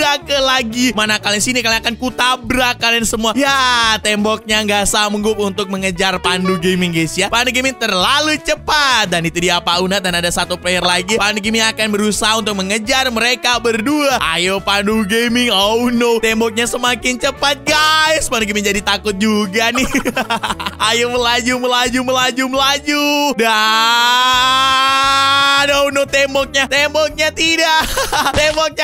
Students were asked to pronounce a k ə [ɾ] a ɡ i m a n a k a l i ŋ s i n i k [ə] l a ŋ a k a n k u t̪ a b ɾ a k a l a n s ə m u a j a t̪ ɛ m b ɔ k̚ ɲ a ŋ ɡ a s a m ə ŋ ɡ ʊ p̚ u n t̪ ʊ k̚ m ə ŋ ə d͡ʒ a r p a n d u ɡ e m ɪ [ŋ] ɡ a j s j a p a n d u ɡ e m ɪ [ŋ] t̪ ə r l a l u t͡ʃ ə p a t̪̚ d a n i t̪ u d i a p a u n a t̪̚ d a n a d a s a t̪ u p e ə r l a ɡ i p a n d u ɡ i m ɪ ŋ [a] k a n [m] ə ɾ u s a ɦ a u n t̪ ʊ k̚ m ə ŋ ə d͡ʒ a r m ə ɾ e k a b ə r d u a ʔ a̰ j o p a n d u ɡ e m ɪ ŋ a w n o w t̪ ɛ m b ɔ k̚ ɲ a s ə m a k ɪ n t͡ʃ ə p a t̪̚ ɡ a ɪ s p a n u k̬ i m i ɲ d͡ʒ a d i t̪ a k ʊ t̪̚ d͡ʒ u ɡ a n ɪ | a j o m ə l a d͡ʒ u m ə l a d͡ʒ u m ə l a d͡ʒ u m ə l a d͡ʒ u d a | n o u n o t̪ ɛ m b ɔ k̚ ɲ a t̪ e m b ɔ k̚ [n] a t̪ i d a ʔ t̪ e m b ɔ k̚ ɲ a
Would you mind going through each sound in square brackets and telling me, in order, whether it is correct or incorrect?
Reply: incorrect, incorrect, correct, correct, correct, incorrect, incorrect

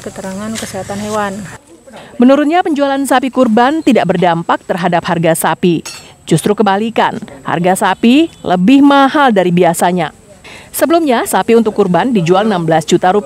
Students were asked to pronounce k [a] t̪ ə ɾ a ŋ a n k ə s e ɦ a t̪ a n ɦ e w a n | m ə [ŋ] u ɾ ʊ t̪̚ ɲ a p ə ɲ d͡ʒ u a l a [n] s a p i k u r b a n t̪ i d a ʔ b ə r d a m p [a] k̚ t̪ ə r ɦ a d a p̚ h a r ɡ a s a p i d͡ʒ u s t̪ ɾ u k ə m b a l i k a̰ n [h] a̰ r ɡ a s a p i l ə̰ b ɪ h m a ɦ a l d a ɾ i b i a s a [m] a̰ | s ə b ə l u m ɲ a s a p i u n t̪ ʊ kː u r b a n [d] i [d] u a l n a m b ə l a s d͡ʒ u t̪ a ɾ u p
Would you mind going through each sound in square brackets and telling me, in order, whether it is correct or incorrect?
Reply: incorrect, incorrect, correct, correct, correct, incorrect, correct, incorrect

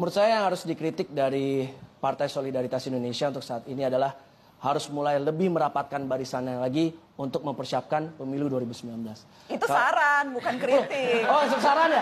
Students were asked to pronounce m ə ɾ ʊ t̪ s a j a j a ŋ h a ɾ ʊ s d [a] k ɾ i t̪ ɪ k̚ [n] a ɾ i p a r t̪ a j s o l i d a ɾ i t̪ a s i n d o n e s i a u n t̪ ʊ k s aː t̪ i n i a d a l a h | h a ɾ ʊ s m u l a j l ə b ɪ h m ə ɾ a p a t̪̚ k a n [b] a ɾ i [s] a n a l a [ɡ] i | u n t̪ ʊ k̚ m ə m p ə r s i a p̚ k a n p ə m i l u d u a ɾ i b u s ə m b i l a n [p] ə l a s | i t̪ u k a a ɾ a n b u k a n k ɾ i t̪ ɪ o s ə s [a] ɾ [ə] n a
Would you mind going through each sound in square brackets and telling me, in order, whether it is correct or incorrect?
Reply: incorrect, incorrect, correct, correct, correct, incorrect, correct, incorrect

